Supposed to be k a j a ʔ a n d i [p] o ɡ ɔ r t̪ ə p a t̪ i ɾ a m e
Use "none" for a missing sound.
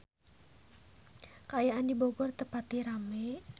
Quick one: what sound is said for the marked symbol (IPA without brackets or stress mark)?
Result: b